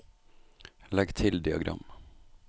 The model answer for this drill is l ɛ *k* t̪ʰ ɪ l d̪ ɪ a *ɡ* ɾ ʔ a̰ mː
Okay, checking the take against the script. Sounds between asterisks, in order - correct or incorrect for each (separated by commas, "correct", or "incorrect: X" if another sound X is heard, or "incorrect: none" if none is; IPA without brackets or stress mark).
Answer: incorrect: ɡ, correct